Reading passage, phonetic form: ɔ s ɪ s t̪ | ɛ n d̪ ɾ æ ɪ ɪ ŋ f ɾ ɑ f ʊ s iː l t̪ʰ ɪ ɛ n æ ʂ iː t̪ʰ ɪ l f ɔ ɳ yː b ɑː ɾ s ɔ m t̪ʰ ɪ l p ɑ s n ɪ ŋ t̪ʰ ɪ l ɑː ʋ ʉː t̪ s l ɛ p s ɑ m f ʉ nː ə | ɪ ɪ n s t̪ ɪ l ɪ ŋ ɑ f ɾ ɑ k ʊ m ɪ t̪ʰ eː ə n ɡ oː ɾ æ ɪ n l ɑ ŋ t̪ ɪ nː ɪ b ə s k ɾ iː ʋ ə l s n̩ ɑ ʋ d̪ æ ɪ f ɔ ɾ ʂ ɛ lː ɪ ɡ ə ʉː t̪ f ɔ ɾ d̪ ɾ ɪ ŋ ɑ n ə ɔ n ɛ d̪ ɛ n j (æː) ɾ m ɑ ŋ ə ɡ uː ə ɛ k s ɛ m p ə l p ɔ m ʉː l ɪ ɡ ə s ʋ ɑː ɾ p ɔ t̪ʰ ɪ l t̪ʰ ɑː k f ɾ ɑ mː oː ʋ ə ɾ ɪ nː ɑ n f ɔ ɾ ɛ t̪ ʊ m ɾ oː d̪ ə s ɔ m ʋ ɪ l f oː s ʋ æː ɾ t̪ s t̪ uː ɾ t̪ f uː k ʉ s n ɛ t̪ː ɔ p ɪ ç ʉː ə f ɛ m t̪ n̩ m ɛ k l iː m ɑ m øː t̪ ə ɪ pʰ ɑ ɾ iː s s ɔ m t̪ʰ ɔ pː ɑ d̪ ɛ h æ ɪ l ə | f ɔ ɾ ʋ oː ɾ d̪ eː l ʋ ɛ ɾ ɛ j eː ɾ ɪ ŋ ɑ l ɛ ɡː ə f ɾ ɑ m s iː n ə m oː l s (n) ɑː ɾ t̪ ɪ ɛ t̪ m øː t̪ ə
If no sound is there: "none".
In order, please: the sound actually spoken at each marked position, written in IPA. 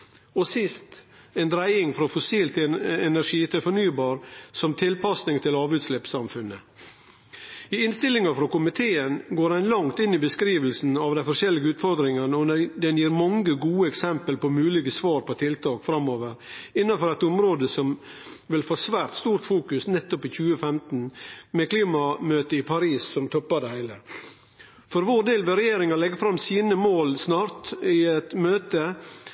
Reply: iː, n

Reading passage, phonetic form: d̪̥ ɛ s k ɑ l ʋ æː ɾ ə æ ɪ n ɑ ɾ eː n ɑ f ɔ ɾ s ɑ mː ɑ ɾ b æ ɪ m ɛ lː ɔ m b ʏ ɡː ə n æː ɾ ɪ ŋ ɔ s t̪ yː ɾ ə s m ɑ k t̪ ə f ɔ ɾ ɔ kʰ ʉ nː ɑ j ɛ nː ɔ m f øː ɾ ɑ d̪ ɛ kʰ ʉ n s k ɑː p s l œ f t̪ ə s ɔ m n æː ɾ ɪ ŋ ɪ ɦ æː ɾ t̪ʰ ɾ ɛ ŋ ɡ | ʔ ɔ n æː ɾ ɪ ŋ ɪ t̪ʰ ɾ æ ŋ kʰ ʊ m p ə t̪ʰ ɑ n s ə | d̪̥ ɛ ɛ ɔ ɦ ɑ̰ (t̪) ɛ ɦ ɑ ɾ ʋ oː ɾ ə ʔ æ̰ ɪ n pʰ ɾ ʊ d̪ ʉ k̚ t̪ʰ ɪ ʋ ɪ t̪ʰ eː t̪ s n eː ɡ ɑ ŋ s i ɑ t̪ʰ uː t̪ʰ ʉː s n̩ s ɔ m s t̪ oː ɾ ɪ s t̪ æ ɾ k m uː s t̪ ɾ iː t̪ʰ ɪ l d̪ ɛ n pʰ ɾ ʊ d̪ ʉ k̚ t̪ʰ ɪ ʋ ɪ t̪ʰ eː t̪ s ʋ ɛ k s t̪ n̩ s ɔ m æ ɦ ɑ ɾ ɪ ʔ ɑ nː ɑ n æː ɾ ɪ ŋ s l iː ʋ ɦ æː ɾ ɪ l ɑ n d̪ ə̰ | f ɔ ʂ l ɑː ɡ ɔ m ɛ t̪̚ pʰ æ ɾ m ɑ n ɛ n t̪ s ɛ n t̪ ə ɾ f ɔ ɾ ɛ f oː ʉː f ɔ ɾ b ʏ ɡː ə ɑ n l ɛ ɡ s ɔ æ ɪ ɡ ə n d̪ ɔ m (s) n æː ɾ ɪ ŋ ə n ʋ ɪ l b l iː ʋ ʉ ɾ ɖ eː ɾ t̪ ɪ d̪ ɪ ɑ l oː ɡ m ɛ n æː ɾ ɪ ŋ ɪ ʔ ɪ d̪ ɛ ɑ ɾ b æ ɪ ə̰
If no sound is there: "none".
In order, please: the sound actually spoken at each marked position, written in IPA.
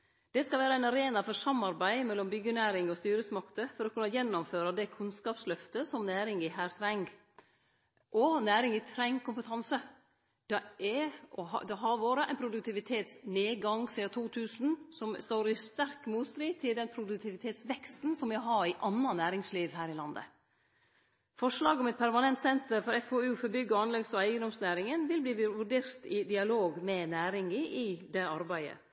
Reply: d̪, s

